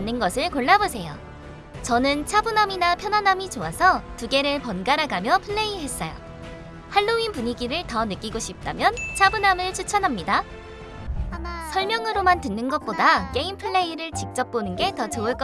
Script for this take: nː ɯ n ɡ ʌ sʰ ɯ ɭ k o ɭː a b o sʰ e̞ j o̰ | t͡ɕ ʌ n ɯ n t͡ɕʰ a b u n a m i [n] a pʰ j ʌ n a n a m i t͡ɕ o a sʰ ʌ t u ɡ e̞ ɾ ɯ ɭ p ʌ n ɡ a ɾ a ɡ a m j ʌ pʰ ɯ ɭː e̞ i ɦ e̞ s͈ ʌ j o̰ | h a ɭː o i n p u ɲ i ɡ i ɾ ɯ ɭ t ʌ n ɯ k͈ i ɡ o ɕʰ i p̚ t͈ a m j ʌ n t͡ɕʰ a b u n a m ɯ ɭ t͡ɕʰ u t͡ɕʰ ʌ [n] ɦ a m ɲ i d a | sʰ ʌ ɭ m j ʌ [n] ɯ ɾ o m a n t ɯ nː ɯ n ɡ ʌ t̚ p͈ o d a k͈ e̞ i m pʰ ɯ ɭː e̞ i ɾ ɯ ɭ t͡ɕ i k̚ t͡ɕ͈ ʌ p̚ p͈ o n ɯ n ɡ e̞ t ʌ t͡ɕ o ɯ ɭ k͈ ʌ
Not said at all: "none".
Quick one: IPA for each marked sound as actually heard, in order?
n, n, ŋ

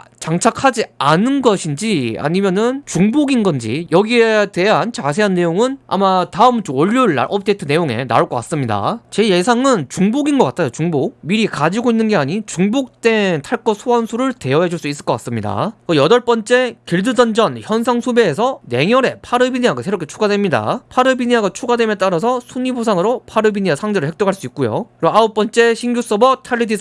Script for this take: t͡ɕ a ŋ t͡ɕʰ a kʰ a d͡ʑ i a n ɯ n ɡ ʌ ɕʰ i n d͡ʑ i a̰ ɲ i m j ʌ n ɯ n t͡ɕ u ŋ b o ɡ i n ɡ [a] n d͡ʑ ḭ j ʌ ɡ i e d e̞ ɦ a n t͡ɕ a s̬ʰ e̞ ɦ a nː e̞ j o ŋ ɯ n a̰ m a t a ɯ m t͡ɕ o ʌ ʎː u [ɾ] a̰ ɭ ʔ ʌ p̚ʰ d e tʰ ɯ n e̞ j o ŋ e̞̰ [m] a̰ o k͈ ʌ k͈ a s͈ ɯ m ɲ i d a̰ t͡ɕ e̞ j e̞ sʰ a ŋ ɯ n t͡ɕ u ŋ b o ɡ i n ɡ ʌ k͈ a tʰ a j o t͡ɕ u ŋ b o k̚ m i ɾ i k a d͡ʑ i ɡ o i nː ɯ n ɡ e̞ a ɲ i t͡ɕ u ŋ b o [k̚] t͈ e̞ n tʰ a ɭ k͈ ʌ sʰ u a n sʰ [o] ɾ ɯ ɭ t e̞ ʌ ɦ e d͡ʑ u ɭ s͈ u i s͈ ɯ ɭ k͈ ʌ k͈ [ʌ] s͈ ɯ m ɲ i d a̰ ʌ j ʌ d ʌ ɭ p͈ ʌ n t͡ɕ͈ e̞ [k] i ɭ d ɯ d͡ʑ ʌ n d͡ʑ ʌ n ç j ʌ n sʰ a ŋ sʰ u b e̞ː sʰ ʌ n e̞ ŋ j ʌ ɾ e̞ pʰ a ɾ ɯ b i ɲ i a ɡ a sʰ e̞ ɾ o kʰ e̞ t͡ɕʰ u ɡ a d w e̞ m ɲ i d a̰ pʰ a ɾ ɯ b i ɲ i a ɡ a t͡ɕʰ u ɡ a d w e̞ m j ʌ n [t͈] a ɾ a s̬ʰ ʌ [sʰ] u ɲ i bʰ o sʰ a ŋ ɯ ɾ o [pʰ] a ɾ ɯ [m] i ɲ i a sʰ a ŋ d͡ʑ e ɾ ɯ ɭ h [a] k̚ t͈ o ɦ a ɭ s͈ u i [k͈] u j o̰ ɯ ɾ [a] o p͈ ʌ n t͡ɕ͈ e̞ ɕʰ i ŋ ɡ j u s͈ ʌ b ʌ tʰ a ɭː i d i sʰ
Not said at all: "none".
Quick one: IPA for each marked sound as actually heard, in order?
ʌ, ɭ, n, k̚, u, a, k, t͈, sʰ, pʰ, b, e, k͈, a

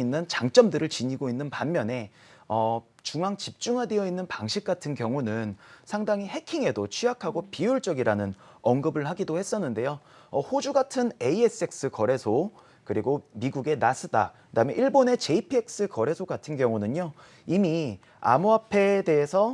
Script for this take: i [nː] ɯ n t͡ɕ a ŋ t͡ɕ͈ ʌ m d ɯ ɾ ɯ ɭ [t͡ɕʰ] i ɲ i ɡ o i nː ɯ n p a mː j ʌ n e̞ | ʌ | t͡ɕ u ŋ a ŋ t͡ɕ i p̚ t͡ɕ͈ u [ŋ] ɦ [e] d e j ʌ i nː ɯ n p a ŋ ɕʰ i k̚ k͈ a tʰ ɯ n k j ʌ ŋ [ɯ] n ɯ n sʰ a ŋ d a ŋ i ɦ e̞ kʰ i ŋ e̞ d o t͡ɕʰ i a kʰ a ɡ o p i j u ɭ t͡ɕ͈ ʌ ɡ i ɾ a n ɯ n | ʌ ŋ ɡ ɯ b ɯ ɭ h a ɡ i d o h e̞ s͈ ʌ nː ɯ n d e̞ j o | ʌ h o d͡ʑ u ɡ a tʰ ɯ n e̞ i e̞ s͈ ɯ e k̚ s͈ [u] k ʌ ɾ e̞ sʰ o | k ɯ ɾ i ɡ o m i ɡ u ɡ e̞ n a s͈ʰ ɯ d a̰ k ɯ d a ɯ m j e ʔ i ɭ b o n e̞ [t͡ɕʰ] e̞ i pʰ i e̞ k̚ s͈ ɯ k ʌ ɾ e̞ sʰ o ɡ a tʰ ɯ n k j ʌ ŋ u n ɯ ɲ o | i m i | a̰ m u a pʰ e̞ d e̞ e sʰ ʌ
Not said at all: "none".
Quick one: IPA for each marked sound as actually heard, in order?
nː, t͡ɕ, ŋ, a, u, ɯ, t͡ɕ

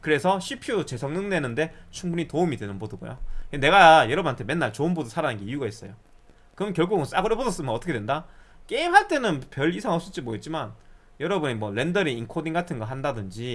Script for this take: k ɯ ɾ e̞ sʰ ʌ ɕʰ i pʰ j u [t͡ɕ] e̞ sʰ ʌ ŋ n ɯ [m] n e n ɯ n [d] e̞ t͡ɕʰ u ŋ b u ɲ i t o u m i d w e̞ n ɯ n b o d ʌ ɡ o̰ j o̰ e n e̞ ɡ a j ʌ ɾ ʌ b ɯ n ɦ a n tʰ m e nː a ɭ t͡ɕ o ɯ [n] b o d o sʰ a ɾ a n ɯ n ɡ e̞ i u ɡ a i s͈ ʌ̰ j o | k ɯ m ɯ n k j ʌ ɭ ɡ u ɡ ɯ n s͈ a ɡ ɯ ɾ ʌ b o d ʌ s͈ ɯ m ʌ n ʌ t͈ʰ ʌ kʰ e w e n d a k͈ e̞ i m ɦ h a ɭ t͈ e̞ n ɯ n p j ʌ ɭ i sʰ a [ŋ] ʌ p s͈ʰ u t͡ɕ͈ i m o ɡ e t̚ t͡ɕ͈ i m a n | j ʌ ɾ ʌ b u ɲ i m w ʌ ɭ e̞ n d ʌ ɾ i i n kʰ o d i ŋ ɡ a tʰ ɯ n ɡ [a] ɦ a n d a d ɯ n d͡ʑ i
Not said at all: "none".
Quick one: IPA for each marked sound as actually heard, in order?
t͡ɕ, ŋ, d, n, ŋ, ʌ

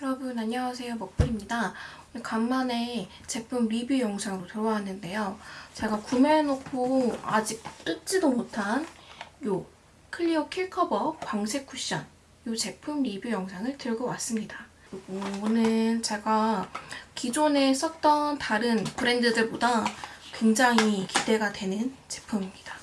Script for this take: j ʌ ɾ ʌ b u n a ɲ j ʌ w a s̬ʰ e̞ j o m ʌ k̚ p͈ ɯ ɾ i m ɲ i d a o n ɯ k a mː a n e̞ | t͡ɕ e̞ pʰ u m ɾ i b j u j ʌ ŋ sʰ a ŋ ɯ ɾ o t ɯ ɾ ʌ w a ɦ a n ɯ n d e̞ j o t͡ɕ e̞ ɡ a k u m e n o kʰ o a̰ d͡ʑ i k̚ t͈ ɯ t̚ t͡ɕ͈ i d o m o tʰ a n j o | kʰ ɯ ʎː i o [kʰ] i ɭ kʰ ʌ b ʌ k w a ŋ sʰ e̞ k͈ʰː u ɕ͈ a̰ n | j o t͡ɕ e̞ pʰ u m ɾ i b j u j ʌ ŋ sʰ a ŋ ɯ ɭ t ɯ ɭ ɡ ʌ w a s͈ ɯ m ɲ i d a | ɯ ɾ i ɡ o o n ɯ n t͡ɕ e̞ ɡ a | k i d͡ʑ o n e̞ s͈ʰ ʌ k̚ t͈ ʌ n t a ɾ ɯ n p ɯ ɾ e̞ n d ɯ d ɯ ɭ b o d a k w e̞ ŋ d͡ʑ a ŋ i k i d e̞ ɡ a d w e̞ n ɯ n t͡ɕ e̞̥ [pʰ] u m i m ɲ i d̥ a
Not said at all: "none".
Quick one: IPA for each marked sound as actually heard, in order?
kʰ, pʰ

